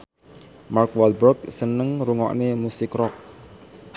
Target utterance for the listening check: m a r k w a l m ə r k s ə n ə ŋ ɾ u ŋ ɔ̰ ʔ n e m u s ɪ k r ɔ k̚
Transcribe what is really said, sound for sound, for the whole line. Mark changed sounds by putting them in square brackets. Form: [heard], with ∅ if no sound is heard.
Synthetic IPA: m a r k w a l [b] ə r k s ə n ə ŋ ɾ u ŋ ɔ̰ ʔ n e m u s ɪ k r ɔ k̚